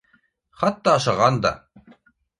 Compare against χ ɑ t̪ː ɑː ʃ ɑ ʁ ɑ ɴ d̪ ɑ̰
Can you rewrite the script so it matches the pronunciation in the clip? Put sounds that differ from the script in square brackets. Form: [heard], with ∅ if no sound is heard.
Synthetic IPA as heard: χ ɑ t̪ː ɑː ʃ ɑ ʁ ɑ [n] d̪ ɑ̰